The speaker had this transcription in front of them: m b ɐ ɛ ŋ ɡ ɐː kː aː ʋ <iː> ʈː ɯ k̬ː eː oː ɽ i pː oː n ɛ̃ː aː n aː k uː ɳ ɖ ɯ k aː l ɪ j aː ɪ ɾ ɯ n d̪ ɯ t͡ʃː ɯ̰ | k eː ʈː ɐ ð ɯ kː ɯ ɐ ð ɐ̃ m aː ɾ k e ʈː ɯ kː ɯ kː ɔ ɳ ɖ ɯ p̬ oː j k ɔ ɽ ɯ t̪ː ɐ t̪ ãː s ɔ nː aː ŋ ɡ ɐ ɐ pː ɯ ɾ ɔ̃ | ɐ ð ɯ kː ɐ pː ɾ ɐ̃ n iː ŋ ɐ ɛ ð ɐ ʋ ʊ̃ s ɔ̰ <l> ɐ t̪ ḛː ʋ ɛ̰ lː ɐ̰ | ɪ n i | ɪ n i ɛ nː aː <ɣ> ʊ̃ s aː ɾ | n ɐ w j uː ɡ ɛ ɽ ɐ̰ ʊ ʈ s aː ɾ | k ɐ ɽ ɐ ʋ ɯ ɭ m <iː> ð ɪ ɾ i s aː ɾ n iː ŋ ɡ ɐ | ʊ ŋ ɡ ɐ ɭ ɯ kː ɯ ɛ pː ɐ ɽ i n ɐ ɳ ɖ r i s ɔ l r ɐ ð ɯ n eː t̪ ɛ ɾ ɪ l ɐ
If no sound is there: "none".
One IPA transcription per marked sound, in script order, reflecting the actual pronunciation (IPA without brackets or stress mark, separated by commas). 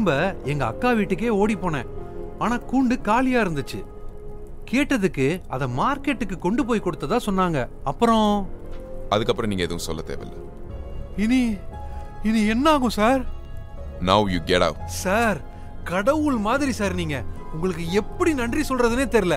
iː, lː, ɣ, aː